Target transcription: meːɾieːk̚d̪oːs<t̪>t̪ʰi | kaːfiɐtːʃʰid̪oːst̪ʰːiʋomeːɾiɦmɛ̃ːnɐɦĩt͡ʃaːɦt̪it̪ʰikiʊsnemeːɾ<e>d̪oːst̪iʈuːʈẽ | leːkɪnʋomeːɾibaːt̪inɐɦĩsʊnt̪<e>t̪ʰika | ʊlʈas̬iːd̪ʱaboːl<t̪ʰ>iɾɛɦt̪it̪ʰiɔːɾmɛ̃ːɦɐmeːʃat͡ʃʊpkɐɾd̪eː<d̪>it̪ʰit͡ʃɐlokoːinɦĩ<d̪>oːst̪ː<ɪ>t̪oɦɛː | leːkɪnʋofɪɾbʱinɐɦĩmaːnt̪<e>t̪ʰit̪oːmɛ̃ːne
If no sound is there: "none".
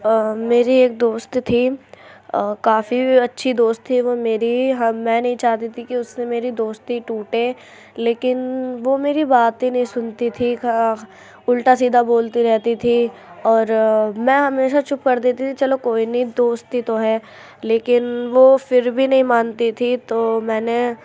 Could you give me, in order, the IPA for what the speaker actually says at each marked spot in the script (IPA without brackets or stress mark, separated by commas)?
t̪, i, i, t̪, t̪, d̪, i, i